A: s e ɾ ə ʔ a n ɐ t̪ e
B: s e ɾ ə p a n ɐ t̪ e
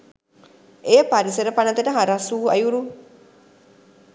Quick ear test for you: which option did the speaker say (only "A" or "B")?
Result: B